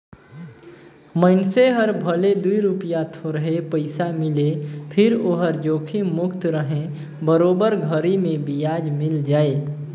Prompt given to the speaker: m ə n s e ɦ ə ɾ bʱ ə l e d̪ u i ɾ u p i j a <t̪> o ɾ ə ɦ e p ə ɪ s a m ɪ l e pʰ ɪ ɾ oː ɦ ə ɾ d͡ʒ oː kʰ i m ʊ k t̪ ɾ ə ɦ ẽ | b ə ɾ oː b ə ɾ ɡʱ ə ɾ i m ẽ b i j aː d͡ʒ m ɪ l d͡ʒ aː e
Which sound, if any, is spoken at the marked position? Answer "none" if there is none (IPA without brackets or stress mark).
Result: t̪ʰ